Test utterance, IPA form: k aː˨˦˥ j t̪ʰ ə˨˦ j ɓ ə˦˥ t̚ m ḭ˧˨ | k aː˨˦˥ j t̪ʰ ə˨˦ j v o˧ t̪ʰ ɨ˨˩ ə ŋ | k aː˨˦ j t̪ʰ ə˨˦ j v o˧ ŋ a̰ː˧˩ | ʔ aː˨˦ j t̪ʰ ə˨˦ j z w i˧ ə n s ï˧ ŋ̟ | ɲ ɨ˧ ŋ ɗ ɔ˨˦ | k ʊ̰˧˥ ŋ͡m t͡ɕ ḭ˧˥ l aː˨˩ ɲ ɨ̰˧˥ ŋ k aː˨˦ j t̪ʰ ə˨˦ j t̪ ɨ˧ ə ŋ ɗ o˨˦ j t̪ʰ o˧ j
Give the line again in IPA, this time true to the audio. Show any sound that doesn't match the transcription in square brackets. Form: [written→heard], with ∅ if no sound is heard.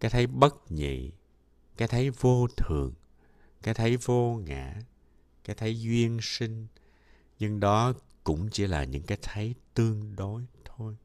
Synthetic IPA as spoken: k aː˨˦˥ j t̪ʰ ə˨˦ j ɓ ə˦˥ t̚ [m→ɲ] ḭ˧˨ | k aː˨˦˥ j t̪ʰ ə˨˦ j v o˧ t̪ʰ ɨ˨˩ ə ŋ | k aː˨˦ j t̪ʰ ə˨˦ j v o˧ ŋ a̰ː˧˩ | [ʔ→k] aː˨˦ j t̪ʰ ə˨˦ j z w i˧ ə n s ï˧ ŋ̟ | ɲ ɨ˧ ŋ ɗ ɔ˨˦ | k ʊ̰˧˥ ŋ͡m t͡ɕ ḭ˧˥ l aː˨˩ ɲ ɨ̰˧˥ ŋ k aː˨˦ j t̪ʰ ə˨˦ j t̪ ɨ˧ ə ŋ ɗ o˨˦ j t̪ʰ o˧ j